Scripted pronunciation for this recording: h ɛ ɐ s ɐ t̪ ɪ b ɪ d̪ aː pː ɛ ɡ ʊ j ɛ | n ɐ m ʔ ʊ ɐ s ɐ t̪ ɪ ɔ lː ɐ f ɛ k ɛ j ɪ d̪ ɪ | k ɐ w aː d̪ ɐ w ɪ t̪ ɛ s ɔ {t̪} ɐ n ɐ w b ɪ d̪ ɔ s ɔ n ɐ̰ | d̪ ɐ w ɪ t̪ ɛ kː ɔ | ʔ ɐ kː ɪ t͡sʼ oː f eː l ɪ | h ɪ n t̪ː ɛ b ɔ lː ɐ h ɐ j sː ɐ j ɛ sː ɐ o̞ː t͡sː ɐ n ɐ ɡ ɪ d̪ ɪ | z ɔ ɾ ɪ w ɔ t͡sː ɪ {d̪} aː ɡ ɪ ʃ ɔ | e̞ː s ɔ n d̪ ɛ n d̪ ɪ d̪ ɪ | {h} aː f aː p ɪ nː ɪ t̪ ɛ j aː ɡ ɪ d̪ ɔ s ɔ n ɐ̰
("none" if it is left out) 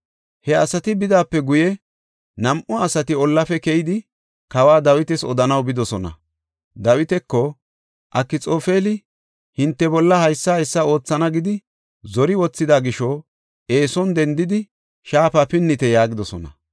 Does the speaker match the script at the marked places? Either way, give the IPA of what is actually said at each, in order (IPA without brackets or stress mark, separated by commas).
d̪, d̪, ʃ